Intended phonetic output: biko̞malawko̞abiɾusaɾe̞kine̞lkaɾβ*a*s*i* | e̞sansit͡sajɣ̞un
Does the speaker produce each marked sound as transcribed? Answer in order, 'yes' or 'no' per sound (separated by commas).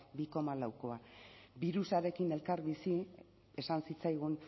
no, yes